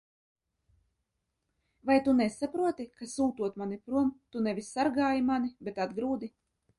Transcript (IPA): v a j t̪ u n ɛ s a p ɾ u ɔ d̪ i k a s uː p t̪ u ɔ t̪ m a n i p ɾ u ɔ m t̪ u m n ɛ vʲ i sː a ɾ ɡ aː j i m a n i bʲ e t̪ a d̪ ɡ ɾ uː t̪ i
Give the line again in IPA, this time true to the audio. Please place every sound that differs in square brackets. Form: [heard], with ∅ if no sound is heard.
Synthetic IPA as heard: v a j t̪ u n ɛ s a p ɾ u ɔ [t̪] i k a s uː [∅] t̪ u ɔ t̪ m a n i p ɾ u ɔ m t̪ u [∅] n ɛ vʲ i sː a ɾ ɡ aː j i m a n i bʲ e t̪ a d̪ ɡ ɾ uː [d̪] i